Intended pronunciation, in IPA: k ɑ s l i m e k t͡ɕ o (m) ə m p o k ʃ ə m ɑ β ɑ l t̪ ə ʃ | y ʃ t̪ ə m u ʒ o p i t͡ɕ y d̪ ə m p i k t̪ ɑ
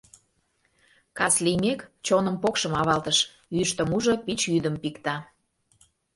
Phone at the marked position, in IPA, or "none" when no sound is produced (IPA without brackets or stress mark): n